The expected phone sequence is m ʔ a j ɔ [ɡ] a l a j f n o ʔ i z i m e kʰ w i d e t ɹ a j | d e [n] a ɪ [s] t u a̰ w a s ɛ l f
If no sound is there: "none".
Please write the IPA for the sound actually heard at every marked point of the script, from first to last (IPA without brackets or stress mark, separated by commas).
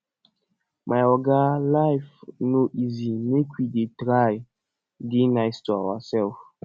ɡ, n, s